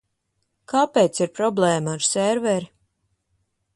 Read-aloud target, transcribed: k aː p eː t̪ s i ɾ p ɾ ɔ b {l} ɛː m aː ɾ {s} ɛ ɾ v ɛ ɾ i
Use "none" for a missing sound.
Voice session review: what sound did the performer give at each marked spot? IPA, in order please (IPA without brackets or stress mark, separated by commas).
l, s